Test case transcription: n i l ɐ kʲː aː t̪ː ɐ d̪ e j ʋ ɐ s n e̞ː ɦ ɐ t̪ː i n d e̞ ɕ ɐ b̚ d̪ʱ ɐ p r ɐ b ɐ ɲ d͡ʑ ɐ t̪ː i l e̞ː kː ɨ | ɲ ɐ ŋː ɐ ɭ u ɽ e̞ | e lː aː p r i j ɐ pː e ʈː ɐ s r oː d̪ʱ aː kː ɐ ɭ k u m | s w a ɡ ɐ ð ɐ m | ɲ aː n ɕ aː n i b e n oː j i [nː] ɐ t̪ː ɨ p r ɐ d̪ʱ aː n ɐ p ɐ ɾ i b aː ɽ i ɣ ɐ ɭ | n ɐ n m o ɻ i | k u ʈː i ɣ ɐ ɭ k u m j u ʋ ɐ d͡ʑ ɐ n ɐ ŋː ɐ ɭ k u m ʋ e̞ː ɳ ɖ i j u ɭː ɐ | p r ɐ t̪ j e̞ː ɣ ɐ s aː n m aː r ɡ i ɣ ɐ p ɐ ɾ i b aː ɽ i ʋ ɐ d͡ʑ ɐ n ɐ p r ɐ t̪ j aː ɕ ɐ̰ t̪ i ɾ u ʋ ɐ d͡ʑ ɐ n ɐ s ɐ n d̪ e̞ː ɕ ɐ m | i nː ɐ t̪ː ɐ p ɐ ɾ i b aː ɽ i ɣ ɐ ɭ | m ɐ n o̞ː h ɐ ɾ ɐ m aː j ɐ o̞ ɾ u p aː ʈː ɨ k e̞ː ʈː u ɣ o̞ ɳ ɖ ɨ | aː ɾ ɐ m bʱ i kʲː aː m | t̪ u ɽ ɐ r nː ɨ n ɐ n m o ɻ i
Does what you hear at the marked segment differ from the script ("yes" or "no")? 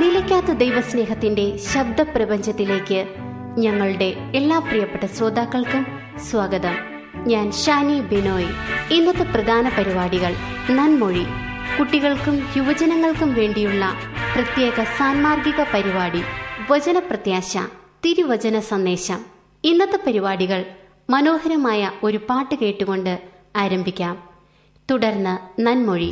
no